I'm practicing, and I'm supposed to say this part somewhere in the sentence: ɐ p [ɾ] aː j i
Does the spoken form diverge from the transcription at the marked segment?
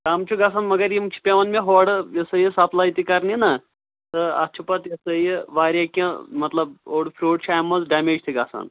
yes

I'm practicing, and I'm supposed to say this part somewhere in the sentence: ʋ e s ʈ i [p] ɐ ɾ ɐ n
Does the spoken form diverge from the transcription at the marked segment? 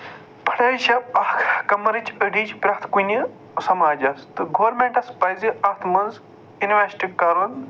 yes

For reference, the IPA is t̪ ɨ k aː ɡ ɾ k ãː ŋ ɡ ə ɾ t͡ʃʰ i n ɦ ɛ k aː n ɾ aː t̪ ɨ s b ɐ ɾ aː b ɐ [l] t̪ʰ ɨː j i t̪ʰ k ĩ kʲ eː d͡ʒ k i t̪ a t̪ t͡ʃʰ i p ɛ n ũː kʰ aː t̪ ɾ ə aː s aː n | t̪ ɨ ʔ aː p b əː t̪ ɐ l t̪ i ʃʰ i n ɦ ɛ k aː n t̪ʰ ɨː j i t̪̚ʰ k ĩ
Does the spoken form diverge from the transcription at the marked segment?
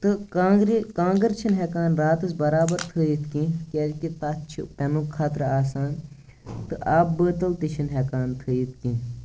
yes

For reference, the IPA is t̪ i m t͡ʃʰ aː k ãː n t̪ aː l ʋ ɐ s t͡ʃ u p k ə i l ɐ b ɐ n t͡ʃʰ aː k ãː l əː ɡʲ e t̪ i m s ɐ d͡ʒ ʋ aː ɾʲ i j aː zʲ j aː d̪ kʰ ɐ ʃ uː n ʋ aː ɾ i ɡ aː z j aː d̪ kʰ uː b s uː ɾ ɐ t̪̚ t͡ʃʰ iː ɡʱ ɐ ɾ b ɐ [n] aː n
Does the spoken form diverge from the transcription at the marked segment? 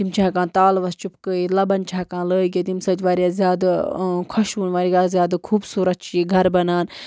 no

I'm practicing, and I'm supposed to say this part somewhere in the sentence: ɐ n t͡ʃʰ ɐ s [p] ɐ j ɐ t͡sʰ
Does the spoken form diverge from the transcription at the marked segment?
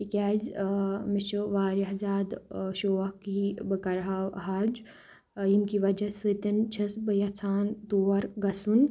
yes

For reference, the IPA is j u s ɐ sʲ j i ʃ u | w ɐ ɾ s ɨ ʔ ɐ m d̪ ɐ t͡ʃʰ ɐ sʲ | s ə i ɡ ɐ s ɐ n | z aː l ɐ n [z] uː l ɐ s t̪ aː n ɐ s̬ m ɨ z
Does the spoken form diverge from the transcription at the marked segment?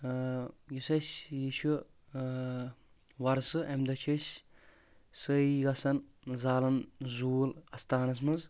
no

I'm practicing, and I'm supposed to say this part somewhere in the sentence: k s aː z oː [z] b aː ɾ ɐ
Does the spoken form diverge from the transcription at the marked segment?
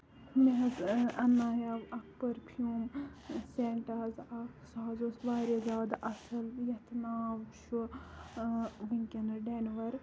yes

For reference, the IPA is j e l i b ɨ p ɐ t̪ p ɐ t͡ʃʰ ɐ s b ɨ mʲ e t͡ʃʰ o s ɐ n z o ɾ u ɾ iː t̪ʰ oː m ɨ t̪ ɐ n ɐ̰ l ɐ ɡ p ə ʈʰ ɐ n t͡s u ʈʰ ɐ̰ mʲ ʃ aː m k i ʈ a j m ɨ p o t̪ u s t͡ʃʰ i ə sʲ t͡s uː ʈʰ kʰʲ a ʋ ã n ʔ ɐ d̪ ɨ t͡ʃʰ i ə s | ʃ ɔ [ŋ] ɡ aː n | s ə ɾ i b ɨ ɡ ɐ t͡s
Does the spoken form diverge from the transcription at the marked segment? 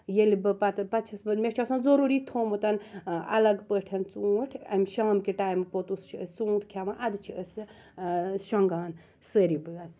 no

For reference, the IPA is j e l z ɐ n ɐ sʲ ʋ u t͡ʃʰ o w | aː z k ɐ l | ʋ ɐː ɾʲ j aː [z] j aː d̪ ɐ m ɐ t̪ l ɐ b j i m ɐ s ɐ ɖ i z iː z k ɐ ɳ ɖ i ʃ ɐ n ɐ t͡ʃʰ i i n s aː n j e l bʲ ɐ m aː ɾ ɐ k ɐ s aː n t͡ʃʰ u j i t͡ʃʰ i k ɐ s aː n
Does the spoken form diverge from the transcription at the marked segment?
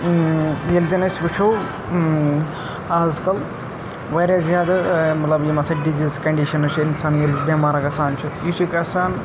no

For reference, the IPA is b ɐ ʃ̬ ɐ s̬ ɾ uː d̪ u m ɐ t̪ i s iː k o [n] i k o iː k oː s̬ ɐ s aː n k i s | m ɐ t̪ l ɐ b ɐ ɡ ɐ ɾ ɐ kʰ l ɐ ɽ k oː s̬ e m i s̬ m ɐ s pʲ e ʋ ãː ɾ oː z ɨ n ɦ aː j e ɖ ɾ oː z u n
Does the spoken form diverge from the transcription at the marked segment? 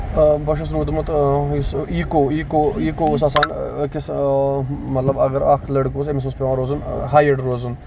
yes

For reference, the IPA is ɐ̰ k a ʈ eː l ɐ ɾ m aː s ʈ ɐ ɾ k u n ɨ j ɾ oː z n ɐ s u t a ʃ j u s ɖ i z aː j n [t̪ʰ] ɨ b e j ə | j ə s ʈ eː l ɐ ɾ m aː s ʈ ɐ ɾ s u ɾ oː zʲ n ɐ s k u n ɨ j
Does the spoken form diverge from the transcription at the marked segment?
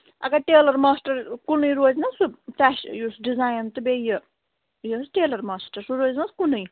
yes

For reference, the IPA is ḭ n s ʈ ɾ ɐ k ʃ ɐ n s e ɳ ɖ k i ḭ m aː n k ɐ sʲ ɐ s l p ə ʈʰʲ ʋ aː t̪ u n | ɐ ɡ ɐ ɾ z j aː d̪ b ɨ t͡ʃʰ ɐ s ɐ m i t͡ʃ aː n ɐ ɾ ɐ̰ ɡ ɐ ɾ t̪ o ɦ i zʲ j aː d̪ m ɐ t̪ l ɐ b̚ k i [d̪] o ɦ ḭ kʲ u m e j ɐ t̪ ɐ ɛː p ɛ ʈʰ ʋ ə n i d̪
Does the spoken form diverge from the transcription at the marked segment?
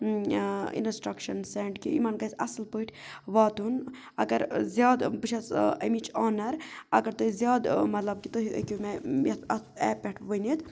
yes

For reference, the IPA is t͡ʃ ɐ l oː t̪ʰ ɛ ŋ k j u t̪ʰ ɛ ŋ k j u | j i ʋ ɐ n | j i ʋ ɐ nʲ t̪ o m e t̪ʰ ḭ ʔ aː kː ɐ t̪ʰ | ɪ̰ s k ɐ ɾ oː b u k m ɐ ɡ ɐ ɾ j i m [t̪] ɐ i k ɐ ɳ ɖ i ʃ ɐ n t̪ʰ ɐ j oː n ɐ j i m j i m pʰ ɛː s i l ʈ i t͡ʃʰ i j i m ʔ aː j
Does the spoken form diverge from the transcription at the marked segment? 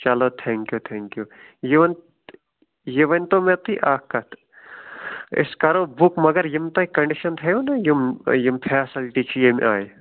no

